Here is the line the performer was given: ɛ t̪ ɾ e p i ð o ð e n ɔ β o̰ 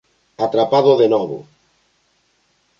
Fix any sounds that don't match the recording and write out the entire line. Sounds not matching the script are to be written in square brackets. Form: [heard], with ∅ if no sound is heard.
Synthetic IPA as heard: [a] t̪ ɾ [a] p [a] ð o ð e n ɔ β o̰